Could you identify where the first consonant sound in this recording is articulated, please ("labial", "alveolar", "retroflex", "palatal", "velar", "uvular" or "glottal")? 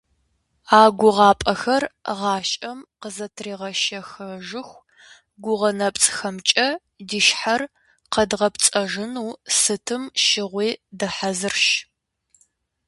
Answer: velar